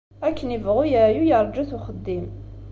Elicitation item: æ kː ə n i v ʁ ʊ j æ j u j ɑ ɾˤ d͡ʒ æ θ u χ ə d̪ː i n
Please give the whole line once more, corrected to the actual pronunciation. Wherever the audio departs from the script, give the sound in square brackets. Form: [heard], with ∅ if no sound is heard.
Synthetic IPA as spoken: æ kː ə n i v ʁ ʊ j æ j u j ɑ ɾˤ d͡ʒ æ θ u χ ə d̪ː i [m]